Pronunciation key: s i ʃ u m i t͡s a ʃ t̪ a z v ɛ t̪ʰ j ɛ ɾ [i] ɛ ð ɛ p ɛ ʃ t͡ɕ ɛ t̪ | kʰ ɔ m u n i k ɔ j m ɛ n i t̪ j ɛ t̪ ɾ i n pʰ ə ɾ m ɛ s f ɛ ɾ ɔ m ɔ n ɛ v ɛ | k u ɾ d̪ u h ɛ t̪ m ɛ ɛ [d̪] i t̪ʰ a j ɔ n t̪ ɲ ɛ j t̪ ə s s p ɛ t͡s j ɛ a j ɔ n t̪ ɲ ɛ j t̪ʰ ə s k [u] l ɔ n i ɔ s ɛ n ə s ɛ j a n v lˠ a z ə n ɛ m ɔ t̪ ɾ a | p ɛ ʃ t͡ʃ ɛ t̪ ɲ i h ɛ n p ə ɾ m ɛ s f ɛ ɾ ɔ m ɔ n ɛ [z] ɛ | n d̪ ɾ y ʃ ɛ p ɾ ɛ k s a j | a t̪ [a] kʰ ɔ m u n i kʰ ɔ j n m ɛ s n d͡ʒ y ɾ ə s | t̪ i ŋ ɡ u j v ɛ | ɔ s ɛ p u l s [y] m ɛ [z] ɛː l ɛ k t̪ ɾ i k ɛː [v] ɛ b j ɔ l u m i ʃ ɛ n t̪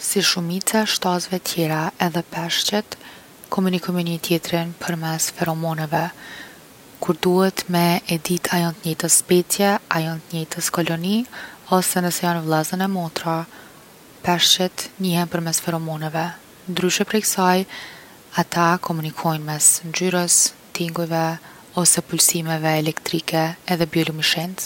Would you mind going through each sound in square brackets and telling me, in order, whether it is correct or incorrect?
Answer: incorrect, correct, incorrect, incorrect, correct, incorrect, incorrect, incorrect

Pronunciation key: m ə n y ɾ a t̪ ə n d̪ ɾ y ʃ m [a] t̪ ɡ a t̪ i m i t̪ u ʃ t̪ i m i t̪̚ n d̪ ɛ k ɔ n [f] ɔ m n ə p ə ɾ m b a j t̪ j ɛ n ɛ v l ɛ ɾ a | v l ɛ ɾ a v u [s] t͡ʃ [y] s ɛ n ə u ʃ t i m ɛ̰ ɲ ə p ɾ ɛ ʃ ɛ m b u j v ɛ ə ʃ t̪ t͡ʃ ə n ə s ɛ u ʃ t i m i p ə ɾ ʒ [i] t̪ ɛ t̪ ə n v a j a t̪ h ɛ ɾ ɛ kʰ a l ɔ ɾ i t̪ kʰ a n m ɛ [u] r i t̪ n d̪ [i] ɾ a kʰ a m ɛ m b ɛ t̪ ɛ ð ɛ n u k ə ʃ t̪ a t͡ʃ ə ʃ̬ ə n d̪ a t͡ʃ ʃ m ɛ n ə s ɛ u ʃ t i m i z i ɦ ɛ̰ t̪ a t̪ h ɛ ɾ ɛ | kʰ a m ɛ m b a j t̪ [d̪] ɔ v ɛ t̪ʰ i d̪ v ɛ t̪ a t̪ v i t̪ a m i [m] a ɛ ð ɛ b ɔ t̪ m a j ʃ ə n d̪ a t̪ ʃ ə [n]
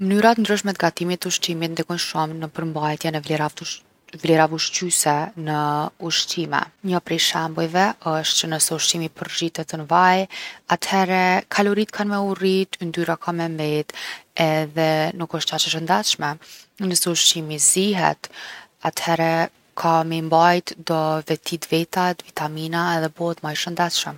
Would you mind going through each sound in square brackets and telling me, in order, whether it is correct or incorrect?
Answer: incorrect, incorrect, incorrect, correct, correct, correct, incorrect, correct, incorrect, incorrect

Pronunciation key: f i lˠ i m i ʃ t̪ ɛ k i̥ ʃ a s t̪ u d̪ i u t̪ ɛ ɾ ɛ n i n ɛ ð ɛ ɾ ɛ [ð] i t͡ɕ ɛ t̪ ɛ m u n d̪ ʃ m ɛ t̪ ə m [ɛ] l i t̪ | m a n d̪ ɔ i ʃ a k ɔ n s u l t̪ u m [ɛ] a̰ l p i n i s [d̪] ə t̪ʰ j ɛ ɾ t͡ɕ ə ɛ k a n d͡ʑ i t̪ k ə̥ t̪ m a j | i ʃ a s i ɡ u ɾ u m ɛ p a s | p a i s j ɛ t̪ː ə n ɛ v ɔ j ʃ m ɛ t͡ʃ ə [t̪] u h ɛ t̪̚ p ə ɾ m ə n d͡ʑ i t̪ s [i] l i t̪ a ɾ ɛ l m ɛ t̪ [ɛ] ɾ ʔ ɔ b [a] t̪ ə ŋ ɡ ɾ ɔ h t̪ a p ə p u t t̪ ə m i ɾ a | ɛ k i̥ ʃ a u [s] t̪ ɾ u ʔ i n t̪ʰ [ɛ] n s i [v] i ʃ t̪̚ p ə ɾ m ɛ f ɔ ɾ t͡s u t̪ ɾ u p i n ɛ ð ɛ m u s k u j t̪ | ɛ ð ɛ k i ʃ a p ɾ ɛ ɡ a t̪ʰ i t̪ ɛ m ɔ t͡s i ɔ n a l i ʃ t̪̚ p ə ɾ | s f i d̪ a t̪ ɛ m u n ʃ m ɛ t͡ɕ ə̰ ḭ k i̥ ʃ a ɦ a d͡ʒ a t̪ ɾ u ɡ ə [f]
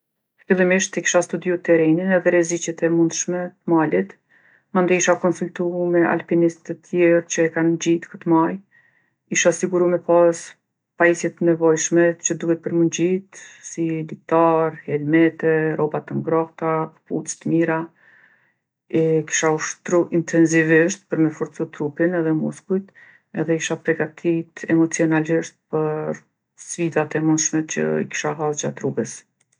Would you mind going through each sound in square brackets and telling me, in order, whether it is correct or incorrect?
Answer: incorrect, incorrect, correct, incorrect, incorrect, correct, correct, correct, incorrect, correct, correct, incorrect

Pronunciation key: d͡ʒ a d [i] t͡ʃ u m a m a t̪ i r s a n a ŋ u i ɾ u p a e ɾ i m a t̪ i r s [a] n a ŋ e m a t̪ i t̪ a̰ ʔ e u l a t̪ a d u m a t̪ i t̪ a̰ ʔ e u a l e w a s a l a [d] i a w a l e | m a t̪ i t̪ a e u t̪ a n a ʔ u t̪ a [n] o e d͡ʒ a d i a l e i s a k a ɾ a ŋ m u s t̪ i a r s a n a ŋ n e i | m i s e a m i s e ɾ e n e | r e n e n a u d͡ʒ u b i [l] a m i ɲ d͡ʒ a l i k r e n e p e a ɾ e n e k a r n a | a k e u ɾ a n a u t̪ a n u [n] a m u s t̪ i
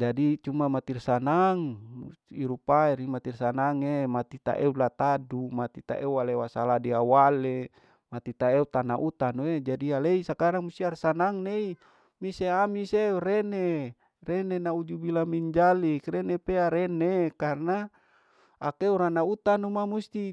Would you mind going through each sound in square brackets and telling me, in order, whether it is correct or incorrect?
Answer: correct, correct, correct, correct, correct, incorrect

